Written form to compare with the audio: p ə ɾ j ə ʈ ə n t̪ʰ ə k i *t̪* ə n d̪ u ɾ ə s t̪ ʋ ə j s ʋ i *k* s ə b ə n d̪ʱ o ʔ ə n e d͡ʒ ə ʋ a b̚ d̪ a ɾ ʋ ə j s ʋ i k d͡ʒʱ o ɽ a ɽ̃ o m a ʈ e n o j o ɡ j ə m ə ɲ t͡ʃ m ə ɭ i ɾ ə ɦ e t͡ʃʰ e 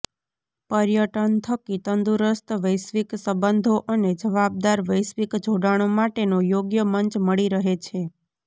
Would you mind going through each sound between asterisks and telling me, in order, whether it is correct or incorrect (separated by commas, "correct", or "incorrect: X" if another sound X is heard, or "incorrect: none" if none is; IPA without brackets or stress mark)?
correct, correct